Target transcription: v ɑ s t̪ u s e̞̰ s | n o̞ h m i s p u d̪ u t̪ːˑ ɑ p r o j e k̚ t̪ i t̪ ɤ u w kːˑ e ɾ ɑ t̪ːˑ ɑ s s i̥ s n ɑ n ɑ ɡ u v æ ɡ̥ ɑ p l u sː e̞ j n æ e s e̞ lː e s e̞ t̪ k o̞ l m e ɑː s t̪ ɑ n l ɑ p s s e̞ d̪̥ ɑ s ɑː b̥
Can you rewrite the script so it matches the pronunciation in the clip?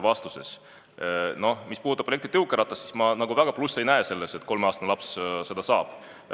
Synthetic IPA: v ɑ s t̪ u s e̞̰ s | n o̞ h m i s p u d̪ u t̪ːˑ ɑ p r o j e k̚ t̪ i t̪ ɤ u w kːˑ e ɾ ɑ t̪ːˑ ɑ s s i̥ s m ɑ n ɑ ɡ u v æ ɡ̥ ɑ p l u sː e̞ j n æ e s e̞ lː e s e̞ t̪ k o̞ l m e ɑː s t̪ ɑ n l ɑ p s s e̞ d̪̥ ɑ s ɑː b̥

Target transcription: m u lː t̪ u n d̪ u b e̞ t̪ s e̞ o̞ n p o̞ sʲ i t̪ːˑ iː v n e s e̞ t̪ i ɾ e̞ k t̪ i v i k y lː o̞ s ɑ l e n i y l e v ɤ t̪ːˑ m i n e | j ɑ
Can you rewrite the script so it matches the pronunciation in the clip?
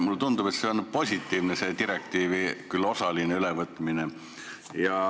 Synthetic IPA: m u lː t̪ u n d̪ u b e̞ t̪ s e̞ o̞ n p o̞ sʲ i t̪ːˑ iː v n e s e̞ t̪ i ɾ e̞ k t̪ iː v i k y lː o̞ s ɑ l i n e y l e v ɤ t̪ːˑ m i n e | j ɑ

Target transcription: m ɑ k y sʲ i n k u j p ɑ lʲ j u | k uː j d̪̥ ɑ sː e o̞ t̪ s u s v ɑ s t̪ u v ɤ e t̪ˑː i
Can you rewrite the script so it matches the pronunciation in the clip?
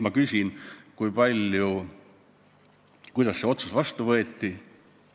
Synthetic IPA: m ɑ k y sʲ i n k u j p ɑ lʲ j u | k u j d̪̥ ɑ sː e o̞ t̪ s u s v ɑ s t̪ u v ɤ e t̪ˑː i

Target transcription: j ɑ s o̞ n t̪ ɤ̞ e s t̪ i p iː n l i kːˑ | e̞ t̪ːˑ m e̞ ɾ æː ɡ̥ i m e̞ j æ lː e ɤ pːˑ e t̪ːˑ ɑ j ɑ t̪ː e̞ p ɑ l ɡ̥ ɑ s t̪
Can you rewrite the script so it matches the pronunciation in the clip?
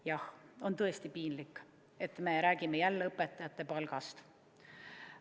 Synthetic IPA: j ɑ h o̞ n t̪ ɤ̞ e s t̪ i p iː n l i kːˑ | e̞ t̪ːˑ m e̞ ɾ æː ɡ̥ i m e̞ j æ lː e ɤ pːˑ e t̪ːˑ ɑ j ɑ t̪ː e̞ p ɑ l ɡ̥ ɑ s t̪

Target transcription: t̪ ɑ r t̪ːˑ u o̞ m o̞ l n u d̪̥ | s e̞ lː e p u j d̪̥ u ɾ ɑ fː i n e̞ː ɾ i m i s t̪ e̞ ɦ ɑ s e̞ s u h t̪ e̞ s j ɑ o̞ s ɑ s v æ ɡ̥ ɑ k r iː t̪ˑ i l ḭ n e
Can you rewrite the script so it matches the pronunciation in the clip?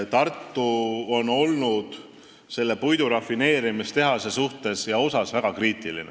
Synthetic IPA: t̪ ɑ r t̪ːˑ u o̞ n o̞ l n u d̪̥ | s e̞ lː e p u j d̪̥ u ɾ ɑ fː i n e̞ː ɾ i m i s t̪ e̞ ɦ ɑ s e̞ s u h t̪ e̞ s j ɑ o̞ s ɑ s v æ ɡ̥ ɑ k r iː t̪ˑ i l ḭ n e

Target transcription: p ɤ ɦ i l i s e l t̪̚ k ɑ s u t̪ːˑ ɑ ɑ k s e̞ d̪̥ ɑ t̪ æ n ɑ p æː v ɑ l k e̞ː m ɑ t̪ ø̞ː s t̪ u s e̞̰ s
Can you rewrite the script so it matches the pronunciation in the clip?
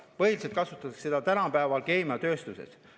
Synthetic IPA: p ɤ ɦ i l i s e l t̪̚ k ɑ s u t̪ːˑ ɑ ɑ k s e̞ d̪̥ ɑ t̪ æ n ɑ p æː v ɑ l k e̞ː m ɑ t̪ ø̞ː s t̪ u s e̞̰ s

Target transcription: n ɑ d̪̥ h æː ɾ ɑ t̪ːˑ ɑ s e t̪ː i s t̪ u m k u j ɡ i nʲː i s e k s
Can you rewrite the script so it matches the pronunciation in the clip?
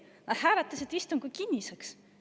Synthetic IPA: n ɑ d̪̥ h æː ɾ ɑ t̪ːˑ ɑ s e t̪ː i s t̪ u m k u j k i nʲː i s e k s

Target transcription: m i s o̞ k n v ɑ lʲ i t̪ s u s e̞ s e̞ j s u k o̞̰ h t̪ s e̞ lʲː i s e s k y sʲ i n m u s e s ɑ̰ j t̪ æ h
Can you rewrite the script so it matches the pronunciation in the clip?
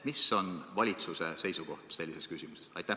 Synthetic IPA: m i s o̞ n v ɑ lʲ i t̪ s u s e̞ s e̞ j s u k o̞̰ h t̪ s e̞ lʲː i s e s k y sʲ i m u s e s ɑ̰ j t̪ æ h

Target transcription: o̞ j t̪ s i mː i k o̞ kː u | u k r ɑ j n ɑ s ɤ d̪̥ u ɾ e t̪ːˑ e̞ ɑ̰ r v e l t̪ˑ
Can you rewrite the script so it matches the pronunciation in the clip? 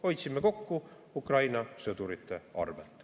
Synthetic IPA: o̞ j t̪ s i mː e k o̞ kː u | u k r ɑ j n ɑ s ɤ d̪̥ u ɾ i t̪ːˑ e̞ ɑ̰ r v e l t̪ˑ

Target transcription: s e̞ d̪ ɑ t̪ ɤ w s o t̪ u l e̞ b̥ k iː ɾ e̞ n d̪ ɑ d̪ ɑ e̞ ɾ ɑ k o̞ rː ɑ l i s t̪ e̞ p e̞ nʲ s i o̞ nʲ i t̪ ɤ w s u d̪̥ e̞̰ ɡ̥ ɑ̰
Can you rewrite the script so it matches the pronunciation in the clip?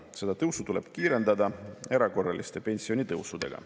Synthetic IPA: s e̞ d̪ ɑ t̪ ɤ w s u t̪ u l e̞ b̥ k iː ɾ e̞ n d̪ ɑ d̪ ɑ e̞ ɾ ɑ k o̞ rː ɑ l i s t̪ e̞ p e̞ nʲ s i o̞ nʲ i t̪ ɤ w s u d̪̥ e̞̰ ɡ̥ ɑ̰

